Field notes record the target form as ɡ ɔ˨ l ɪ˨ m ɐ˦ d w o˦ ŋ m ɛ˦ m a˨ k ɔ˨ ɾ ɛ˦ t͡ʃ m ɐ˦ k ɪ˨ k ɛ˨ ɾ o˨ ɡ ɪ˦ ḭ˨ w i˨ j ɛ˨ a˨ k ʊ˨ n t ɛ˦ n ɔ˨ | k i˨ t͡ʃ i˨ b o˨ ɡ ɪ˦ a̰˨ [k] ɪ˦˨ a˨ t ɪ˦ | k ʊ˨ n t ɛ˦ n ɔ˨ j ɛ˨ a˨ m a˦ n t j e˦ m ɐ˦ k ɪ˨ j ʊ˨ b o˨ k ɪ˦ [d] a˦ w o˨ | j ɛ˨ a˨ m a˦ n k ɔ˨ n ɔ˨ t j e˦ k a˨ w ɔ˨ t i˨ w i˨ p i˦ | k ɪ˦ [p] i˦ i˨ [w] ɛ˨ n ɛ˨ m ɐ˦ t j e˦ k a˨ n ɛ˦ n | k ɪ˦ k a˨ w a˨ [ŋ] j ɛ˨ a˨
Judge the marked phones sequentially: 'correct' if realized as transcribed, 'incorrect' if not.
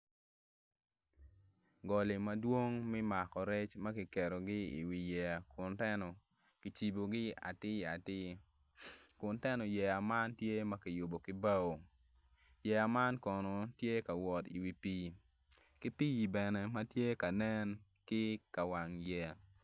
incorrect: t, incorrect: b, correct, incorrect: b, correct

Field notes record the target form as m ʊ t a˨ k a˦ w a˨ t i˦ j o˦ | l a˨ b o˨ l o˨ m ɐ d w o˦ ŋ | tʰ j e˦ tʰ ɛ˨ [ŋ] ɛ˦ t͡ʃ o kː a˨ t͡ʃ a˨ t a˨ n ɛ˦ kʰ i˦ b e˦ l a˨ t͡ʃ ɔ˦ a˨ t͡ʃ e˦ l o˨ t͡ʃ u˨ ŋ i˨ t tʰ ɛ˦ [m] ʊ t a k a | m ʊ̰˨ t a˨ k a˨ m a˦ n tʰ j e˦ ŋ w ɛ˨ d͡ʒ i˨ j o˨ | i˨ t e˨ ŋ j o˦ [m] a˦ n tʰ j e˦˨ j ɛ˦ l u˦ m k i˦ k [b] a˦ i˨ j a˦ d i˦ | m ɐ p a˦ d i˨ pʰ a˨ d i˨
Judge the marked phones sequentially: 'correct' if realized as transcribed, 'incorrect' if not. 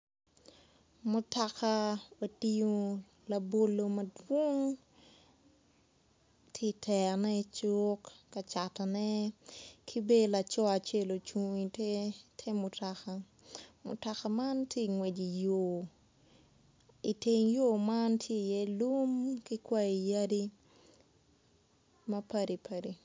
incorrect: n, correct, correct, incorrect: w

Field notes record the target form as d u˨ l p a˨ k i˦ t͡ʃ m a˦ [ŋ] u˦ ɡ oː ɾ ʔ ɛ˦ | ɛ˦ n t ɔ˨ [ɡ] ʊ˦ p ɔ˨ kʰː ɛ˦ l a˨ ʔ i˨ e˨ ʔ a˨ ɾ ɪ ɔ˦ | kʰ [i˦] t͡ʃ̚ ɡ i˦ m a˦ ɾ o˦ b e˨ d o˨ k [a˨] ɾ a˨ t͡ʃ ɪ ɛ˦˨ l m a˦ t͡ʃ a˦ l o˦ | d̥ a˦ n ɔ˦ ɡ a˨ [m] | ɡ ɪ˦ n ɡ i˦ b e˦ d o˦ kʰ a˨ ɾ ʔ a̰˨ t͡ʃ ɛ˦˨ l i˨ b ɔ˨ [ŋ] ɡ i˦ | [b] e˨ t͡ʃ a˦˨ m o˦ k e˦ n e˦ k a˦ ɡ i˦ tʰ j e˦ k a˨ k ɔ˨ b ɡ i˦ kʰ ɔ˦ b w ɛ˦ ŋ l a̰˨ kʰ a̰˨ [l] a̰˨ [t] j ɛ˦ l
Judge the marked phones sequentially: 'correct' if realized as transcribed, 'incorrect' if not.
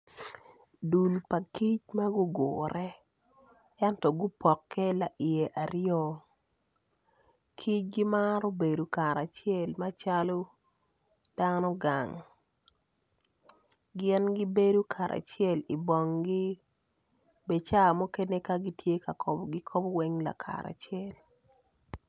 incorrect: ɡ, correct, correct, correct, incorrect: ŋ, correct, correct, incorrect: ɾ, incorrect: t͡ʃ

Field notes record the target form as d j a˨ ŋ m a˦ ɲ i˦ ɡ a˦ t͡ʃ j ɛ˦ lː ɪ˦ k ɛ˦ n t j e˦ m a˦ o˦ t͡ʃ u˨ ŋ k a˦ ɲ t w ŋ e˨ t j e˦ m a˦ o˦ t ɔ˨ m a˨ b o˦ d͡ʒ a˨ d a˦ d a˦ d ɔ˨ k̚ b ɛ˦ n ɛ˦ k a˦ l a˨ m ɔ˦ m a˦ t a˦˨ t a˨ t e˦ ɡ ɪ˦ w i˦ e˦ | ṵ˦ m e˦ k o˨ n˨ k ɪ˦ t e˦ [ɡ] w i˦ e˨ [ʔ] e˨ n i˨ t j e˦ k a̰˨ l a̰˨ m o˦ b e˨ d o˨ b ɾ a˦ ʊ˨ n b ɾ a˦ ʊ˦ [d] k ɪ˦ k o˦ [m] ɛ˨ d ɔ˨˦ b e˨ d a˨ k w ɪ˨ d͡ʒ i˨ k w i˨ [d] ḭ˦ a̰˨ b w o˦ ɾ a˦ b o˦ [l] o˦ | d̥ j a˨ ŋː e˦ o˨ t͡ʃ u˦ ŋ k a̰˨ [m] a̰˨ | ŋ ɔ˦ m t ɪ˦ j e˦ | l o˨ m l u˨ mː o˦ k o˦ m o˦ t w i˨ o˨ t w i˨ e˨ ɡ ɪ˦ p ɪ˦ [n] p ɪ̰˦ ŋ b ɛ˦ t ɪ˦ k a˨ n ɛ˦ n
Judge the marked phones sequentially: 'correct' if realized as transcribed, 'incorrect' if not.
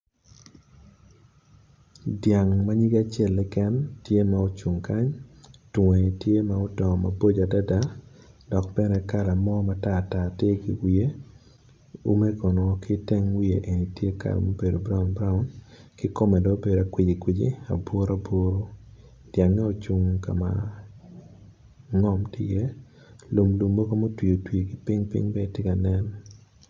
incorrect: ŋ, correct, incorrect: n, correct, incorrect: d͡ʒ, incorrect: ɾ, correct, incorrect: ŋ

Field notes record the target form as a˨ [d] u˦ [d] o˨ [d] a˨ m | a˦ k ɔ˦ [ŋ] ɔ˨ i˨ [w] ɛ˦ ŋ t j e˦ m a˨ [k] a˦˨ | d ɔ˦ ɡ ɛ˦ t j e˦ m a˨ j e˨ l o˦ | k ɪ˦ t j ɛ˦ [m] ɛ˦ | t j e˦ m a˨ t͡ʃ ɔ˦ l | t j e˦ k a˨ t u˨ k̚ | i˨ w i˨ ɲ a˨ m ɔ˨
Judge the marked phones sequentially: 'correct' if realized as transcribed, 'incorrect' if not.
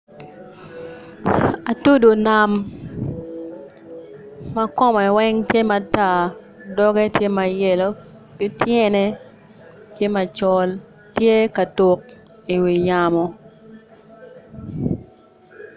incorrect: t, correct, incorrect: n, incorrect: m, correct, incorrect: t, incorrect: n

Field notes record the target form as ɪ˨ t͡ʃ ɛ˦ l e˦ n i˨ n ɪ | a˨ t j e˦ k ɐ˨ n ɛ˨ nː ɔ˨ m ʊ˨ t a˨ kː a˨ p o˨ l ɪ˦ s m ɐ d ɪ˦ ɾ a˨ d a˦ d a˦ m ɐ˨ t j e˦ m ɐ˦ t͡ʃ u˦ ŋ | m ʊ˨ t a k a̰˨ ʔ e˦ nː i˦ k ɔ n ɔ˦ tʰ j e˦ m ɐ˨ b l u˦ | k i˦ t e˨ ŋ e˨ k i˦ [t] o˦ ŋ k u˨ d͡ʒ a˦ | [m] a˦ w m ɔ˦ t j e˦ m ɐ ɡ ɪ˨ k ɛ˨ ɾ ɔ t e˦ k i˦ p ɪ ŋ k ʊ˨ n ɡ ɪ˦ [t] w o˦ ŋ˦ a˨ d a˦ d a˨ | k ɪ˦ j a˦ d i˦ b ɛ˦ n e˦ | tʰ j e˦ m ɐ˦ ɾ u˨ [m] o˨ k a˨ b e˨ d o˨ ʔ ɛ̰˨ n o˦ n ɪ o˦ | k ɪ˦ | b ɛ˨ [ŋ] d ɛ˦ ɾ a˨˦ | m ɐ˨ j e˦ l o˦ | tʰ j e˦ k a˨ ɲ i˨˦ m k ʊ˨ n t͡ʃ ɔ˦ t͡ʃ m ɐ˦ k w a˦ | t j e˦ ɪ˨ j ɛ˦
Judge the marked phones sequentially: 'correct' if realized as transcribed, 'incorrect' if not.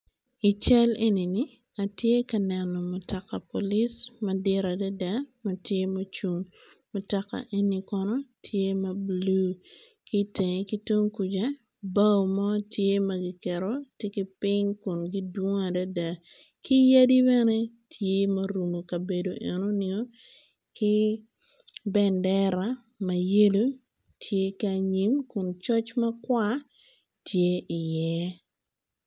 correct, incorrect: b, incorrect: d, correct, incorrect: n

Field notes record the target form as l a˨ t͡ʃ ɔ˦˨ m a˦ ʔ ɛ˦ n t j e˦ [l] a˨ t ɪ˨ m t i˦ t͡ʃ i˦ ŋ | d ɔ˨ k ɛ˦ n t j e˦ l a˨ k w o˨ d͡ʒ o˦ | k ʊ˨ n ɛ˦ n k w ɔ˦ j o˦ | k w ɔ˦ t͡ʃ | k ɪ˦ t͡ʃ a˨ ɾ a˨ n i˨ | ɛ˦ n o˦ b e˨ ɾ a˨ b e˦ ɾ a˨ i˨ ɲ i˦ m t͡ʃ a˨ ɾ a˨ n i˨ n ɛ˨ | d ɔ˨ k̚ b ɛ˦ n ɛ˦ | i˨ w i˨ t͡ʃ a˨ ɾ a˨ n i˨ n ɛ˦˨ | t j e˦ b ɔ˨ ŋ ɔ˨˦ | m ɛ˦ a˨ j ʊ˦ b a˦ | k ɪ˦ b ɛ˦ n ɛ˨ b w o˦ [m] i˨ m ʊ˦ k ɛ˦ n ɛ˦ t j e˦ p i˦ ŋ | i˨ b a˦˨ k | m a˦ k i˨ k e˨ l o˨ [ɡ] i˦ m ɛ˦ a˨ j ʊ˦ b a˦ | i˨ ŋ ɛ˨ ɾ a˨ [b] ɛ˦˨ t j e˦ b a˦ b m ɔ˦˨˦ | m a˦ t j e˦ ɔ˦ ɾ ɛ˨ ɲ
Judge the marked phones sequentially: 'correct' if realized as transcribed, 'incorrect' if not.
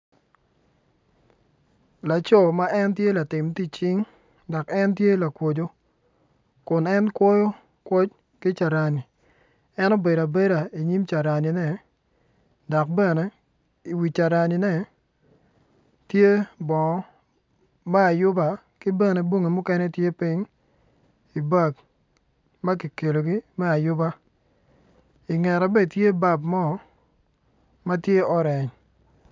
correct, incorrect: ŋ, correct, correct

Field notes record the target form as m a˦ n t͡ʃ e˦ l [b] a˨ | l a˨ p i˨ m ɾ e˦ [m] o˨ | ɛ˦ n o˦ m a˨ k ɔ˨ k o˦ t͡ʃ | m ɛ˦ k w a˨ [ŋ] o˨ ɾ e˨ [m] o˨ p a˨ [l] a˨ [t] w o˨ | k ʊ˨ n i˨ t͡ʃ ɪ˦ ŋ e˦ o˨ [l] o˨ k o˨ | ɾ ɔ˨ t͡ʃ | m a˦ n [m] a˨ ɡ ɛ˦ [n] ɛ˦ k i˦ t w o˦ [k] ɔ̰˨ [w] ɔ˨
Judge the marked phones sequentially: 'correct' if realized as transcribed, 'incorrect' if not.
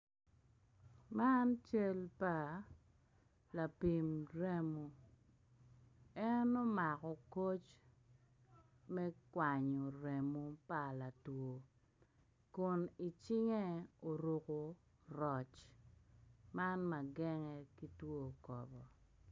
incorrect: p, correct, incorrect: ɲ, correct, correct, correct, incorrect: ɾ, correct, incorrect: ŋ, correct, incorrect: b

